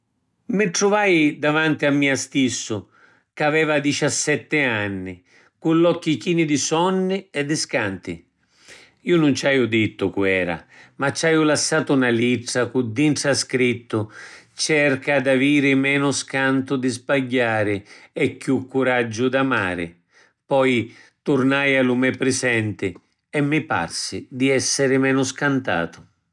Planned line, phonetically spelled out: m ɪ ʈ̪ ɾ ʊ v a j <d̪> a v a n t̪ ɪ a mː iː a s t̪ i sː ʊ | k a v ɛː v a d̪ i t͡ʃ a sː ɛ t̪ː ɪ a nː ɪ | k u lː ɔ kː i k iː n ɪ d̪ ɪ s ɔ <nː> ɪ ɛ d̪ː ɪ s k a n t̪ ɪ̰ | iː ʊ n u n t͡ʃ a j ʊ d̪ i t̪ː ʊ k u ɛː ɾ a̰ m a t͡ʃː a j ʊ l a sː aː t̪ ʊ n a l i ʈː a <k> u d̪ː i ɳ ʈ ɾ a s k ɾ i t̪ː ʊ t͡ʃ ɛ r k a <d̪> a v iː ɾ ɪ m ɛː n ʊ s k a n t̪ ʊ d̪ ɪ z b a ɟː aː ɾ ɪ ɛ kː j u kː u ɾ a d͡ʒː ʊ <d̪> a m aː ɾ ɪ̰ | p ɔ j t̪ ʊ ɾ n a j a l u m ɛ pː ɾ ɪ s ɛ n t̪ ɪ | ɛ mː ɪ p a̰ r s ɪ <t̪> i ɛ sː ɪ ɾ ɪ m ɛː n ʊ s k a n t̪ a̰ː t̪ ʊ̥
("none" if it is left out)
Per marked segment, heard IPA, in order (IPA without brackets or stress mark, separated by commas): d̪, nː, k, d̪, d̪, d̪